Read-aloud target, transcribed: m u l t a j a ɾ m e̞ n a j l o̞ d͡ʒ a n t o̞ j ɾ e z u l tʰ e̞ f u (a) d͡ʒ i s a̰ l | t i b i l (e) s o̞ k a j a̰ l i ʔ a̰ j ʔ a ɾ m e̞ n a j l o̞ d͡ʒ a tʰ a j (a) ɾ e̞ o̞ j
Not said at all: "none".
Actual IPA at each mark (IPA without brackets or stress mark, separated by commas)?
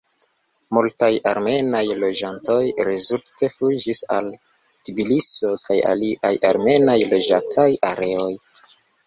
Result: i, i, a